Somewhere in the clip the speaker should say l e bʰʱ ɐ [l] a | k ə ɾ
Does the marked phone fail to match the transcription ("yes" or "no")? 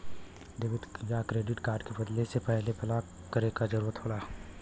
no